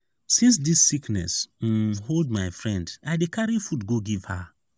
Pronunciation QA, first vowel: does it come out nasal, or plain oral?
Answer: nasal